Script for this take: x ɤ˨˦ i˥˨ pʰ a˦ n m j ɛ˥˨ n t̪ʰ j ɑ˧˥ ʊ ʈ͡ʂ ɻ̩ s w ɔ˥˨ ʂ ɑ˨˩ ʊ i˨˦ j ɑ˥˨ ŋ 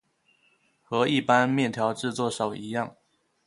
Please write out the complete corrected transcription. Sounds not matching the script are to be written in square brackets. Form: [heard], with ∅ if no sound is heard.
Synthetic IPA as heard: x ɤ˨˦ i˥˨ [p] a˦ n m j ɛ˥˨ n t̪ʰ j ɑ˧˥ ʊ ʈ͡ʂ ɻ̩ [t͡s] w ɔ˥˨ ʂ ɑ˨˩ ʊ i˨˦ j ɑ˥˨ ŋ